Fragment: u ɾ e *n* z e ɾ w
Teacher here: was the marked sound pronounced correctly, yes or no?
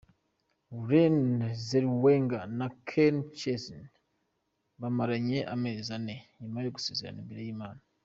yes